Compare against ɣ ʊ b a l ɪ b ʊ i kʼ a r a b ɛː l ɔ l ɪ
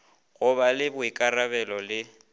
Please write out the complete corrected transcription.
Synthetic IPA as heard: ɣ ʊ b a l ɪ b ʊ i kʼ a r a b ɛ l ɔ l ɪ